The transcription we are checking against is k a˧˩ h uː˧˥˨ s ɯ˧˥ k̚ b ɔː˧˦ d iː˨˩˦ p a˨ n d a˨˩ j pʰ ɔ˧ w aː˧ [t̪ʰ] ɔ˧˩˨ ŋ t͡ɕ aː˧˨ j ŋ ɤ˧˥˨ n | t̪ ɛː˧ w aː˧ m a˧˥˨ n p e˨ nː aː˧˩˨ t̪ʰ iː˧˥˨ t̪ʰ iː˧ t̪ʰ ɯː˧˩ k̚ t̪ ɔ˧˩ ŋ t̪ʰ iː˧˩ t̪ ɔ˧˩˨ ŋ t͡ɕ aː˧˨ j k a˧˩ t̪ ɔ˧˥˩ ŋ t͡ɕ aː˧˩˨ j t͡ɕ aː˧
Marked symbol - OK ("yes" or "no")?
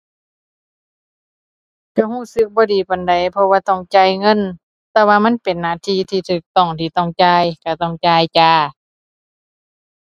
no